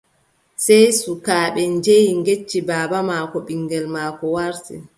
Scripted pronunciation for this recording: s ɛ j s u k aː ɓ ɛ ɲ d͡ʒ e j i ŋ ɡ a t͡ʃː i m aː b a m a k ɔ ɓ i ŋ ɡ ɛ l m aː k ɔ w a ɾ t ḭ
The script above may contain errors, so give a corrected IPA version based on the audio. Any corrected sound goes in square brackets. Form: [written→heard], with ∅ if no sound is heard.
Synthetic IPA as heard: s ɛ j s u k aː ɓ ɛ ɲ d͡ʒ e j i ŋ ɡ [a→e] t͡ʃː i [m→b] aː b a m a k ɔ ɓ i ŋ ɡ ɛ l m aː k ɔ w a ɾ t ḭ